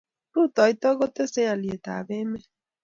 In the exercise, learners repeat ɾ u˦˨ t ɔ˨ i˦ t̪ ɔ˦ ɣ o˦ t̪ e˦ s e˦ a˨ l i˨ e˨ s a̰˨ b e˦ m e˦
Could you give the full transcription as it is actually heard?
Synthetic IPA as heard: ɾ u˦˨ t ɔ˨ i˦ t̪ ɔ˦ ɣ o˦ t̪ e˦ s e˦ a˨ l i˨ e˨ t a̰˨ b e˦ m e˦